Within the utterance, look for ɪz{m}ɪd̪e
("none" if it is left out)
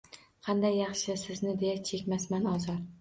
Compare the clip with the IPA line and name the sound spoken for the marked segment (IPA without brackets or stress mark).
n